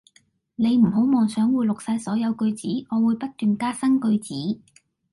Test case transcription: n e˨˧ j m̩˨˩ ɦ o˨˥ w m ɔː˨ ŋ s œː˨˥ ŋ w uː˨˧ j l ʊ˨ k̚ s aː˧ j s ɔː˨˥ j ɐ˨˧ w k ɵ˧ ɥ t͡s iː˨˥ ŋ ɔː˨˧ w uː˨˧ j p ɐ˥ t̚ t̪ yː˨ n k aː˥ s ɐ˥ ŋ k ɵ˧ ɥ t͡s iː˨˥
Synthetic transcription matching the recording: n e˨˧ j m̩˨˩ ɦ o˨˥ w m ɔː˨ ŋ s œː˨˥ ŋ w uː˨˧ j l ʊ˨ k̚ s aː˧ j s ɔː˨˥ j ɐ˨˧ w k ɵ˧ ɥ t͡s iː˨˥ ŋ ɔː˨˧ w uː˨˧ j p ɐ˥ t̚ t̪ yː˨ n k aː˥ s ɐ˥ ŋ k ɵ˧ ɥ t͡s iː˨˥